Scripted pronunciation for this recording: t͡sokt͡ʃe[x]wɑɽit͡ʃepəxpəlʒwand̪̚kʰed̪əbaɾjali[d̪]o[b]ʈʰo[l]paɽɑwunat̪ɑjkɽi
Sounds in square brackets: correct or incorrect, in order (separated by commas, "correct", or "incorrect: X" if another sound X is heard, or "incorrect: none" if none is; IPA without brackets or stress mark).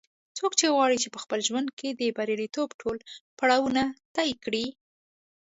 incorrect: ɣ, incorrect: t̪, correct, correct